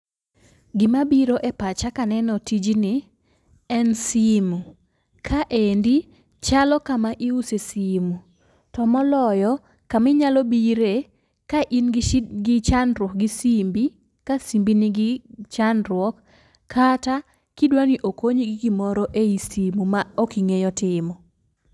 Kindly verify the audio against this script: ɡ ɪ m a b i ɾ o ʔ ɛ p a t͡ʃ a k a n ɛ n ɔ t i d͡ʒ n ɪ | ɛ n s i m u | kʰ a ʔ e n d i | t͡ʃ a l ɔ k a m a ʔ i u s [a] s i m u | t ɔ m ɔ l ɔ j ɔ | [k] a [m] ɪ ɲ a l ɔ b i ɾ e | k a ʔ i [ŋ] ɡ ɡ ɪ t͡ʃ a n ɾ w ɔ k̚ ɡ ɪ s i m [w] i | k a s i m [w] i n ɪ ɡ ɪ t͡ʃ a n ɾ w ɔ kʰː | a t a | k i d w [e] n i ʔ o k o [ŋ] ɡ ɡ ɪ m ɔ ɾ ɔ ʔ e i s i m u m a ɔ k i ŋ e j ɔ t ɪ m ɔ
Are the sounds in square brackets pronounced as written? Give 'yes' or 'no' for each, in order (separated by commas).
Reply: no, yes, yes, no, no, no, no, no